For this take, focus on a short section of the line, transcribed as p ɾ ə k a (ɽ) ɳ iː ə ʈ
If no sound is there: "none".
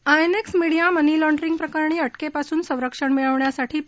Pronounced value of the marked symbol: ɾ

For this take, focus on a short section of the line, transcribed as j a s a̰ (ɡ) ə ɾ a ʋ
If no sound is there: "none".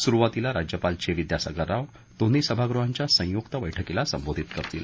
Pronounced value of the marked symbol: ɡ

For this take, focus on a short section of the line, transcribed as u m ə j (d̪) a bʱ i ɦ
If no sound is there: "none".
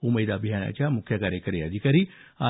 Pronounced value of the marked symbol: d̪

